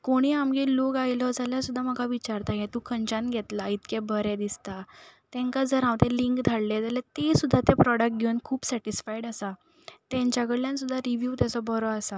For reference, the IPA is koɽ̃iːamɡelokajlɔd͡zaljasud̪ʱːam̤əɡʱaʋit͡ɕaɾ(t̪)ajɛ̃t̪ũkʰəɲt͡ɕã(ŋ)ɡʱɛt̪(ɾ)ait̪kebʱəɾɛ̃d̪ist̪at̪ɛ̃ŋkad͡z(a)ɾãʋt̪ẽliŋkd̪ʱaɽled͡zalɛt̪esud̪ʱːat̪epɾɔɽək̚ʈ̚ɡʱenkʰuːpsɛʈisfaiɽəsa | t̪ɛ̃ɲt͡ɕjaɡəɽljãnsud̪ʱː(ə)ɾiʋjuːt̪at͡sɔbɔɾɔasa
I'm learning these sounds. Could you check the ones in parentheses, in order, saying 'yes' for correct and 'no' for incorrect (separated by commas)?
yes, no, no, no, no